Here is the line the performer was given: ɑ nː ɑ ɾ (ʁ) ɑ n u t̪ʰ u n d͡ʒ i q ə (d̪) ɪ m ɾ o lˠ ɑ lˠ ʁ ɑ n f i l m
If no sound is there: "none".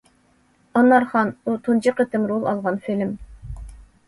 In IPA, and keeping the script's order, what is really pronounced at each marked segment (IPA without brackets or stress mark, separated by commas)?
χ, t̪